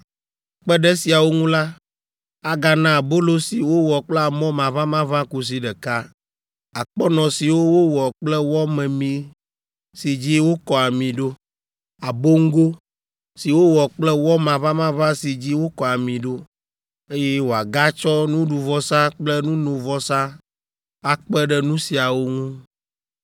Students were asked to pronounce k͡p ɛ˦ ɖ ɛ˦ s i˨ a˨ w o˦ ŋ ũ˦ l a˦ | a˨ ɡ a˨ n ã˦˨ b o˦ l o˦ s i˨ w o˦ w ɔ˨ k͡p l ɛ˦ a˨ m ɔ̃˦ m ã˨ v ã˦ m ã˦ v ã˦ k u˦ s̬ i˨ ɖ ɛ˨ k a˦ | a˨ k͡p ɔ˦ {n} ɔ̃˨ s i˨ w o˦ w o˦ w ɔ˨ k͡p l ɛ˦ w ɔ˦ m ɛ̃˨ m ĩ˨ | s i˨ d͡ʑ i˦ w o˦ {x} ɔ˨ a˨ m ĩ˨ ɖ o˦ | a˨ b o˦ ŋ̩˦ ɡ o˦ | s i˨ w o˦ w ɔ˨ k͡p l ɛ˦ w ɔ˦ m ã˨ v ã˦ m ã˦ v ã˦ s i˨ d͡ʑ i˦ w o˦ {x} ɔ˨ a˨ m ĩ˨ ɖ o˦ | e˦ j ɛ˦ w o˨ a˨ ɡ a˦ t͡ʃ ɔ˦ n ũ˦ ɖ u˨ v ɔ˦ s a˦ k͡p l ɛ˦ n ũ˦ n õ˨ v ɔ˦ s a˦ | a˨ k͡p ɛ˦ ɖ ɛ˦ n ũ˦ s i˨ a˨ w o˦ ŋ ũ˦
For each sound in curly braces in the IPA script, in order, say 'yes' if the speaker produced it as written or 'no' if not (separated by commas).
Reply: yes, no, no